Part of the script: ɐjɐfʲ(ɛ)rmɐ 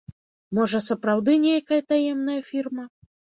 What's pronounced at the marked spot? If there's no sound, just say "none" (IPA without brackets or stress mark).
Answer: i